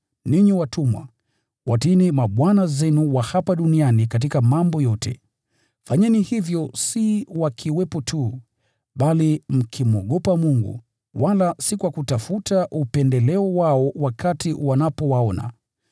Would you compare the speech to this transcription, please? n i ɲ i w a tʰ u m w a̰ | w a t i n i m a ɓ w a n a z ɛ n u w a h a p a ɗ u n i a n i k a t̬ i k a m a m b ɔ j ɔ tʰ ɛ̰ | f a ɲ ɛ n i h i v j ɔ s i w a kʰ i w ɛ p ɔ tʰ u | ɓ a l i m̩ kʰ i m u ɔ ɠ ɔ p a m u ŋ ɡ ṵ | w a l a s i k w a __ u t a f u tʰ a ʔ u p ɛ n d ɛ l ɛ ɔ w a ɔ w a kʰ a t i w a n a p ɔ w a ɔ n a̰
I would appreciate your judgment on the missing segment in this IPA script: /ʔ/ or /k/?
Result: k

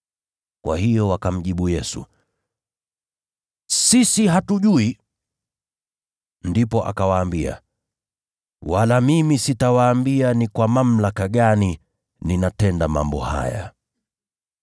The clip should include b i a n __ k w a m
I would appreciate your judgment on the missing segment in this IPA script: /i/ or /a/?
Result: i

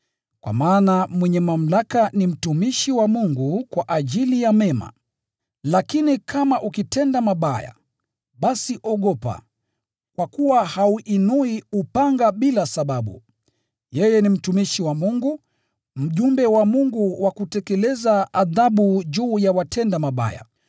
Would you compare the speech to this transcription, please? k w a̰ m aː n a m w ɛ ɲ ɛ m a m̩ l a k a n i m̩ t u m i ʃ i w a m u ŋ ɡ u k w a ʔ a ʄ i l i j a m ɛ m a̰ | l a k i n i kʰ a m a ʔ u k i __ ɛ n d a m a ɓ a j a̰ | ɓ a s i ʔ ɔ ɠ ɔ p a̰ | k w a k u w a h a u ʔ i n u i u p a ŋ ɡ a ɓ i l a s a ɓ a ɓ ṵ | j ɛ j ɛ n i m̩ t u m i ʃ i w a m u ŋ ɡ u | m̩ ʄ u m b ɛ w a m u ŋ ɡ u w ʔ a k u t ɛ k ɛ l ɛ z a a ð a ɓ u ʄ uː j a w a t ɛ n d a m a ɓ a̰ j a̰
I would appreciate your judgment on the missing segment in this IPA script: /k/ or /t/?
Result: t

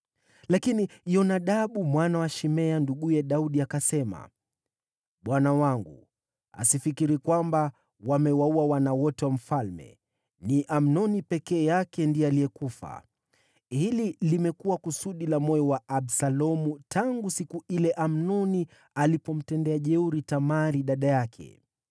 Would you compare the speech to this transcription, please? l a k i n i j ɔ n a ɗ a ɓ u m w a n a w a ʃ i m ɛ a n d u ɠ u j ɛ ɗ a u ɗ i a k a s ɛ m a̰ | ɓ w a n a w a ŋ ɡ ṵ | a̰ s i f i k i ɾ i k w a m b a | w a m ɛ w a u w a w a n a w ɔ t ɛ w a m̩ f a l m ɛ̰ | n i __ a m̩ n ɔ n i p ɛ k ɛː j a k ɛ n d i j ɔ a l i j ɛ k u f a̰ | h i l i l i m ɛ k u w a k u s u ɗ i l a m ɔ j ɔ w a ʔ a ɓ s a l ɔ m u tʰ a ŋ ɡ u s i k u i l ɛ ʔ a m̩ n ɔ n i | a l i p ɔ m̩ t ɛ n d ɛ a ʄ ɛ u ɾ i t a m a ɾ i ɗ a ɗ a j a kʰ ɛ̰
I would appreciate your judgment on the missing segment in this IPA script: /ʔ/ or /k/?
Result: ʔ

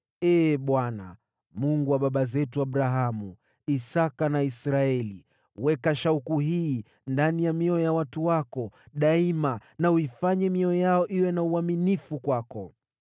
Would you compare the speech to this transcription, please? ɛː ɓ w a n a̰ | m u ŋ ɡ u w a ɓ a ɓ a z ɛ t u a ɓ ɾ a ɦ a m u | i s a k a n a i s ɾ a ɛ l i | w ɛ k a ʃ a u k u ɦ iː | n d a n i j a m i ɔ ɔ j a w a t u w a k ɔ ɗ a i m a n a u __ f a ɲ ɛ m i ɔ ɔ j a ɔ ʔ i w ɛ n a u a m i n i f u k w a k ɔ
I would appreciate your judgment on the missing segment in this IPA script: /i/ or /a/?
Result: i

